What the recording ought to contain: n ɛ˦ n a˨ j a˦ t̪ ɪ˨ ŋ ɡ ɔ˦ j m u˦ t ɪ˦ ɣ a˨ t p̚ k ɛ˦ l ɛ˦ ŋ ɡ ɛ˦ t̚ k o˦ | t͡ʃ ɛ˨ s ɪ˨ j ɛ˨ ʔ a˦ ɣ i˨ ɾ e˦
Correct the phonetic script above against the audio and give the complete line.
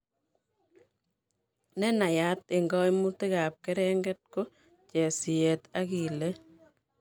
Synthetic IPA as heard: n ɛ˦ n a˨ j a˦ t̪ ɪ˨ ŋ ɡ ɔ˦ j m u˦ t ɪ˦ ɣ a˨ p̚ k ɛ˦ ɾ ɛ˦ ŋ ɡ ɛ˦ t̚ k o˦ | t͡ʃ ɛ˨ s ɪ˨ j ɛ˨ t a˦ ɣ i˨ l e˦